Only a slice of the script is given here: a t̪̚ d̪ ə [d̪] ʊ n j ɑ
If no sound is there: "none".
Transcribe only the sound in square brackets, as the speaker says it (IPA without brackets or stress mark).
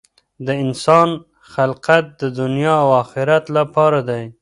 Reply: d̪